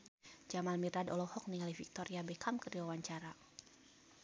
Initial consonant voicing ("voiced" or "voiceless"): voiced